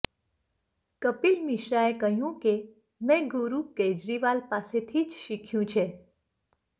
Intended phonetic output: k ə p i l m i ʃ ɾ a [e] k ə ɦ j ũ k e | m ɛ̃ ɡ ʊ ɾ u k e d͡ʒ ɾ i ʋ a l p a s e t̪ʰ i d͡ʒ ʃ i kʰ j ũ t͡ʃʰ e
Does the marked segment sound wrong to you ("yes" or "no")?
no